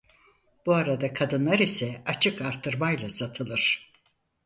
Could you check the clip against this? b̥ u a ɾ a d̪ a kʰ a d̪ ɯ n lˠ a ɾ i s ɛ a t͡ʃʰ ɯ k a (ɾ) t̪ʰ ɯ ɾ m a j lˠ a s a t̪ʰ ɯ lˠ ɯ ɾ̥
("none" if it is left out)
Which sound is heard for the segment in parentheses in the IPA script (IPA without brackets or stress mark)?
ɾ